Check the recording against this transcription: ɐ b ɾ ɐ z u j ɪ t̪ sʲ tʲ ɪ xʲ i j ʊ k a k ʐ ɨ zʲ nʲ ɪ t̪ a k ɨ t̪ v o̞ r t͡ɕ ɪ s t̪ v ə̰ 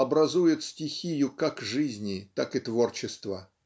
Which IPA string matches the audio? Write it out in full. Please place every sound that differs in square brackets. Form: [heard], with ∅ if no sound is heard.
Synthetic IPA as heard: ɐ b ɾ ɐ z u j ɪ t̪ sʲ tʲ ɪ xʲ i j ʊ k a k ʐ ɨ zʲ nʲ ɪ t̪ a k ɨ t̪ v o̞ r t͡ɕ ɪ s t̪ v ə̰